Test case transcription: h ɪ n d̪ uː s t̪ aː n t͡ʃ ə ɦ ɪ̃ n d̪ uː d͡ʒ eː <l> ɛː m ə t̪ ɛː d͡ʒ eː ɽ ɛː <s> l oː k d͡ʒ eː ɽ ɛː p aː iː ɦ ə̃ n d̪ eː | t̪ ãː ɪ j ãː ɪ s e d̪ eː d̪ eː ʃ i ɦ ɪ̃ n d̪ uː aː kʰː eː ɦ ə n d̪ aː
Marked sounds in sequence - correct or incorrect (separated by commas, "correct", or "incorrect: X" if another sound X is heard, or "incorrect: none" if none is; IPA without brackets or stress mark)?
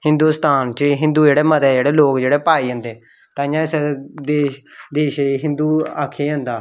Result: incorrect: ɽ, incorrect: none